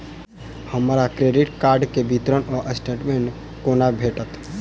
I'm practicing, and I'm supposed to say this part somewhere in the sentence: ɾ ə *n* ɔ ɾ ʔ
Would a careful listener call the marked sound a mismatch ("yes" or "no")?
no